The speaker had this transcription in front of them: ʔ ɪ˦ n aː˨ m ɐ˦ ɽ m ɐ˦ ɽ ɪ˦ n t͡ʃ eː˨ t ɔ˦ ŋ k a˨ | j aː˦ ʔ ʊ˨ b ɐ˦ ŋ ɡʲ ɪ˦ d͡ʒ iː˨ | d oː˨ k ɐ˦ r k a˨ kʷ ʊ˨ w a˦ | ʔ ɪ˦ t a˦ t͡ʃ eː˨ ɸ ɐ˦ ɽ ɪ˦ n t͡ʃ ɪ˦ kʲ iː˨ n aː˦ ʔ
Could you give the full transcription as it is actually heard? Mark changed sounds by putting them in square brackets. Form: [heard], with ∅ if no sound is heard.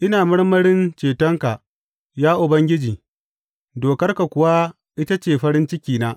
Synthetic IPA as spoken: ʔ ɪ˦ n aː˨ m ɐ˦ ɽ m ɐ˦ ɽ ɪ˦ n t͡ʃ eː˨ t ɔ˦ ŋ k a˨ | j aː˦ ʔ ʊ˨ b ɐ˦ ŋ ɡʲ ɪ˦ d͡ʒ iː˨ | d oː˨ k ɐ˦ r k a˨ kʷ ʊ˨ w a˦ | ʔ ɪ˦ t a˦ t͡ʃ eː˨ ɸ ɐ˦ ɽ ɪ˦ n t͡ʃ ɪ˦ kʲ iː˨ n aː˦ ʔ

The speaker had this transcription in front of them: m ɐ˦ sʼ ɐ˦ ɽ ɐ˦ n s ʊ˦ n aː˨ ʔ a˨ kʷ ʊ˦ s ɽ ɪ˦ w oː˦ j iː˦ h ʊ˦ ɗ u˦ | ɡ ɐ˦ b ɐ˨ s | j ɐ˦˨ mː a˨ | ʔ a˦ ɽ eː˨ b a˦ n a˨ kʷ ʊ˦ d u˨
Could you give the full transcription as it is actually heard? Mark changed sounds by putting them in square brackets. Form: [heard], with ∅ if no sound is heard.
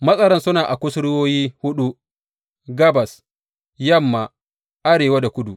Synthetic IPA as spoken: m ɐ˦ sʼ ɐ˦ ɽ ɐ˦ n s ʊ˦ n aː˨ ʔ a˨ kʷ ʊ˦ s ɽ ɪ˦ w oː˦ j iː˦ h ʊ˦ ɗ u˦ | ɡ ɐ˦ b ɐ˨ s | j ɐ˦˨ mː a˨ | ʔ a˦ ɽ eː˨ [w] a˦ [d] a˨ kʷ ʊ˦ d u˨

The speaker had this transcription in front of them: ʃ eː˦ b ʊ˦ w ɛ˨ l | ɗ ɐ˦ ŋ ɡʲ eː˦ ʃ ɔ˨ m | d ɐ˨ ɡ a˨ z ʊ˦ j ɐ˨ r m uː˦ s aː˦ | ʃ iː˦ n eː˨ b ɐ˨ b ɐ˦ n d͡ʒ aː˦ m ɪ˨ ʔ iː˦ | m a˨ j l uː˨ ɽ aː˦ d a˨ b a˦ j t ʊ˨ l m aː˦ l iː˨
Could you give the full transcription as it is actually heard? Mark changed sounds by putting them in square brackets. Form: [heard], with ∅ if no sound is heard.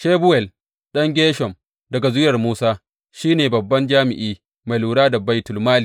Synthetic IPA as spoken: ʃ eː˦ b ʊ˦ w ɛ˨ l | ɗ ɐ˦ ŋ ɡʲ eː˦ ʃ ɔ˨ m | d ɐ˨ ɡ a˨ z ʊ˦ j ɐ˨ r m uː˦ s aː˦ | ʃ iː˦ n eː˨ b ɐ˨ [bː] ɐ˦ n d͡ʒ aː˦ m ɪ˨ ʔ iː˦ | m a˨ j l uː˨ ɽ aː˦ d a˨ b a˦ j t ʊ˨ l m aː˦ l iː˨

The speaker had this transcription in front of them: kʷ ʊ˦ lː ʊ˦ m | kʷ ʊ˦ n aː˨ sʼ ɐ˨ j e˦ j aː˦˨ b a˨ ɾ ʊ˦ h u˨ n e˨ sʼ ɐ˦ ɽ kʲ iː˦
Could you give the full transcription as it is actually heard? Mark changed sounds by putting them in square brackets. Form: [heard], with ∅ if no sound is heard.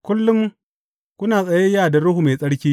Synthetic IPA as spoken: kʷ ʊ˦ lː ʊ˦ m | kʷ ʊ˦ n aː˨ sʼ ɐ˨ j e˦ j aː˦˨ [d] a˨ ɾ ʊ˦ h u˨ [m] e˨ sʼ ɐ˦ ɽ kʲ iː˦

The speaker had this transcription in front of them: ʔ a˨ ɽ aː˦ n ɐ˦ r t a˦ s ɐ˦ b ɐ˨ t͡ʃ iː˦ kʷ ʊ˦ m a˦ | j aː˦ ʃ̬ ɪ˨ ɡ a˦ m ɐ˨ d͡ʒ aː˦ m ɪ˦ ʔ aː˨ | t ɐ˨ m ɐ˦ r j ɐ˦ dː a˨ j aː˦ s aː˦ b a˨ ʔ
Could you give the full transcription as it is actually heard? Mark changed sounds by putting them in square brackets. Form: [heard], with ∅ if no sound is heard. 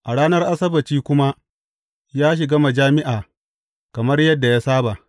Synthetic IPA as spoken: ʔ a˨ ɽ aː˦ n ɐ˦ r [ʔ] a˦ s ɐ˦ b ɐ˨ t͡ʃ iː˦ kʷ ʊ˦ m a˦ | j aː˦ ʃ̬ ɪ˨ ɡ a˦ m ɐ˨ d͡ʒ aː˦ m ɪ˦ ʔ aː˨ | [k] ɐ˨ m ɐ˦ r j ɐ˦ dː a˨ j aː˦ s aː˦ b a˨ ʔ

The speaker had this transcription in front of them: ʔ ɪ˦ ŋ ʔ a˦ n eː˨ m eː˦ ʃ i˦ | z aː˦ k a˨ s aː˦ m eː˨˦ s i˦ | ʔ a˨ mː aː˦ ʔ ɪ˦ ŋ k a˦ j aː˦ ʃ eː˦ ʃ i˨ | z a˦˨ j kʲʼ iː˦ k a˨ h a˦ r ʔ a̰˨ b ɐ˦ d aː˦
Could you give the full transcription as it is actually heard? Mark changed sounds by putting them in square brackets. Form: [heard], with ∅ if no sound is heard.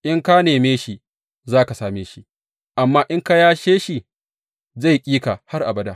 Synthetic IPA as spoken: ʔ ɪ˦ ŋ [k] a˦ n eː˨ m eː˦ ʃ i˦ | z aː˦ k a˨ s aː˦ m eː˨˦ [ʃ] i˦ | ʔ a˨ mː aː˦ ʔ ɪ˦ ŋ k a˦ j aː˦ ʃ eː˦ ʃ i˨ | z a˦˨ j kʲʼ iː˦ k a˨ h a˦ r ʔ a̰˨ b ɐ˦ d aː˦

